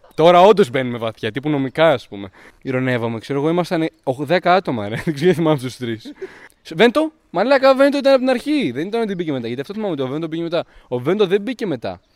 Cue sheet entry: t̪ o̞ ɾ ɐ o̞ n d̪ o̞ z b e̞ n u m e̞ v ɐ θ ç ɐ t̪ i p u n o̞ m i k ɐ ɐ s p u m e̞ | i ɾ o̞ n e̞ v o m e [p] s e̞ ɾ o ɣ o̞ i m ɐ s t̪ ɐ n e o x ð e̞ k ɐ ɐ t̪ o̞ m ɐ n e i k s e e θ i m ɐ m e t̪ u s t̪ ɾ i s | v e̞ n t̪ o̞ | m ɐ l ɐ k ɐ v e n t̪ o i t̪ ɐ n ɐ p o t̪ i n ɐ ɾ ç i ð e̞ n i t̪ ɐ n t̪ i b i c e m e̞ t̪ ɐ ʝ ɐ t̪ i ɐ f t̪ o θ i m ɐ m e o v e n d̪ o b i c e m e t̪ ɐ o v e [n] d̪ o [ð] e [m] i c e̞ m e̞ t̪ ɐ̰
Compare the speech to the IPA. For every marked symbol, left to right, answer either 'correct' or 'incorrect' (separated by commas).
incorrect, correct, correct, incorrect